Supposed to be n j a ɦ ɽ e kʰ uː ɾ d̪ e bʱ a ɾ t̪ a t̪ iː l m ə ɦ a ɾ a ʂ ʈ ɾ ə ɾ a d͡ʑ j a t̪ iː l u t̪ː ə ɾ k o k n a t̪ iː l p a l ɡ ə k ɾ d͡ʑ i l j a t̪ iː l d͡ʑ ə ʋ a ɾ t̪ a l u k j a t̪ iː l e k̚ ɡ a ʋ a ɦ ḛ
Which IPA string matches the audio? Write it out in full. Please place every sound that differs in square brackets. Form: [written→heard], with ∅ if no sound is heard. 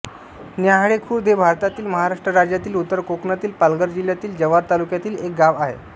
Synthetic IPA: n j a ɦ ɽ e kʰ uː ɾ d̪ e bʱ a ɾ t̪ a t̪ iː l m ə ɦ a ɾ a ʂ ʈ ɾ ə ɾ a d͡ʑ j a t̪ iː l u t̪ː ə ɾ k o k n a t̪ iː l p a l ɡ ə [k→∅] ɾ d͡ʑ i l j a t̪ iː l d͡ʑ ə ʋ a ɾ t̪ a l u k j a t̪ iː l e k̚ ɡ a ʋ a ɦ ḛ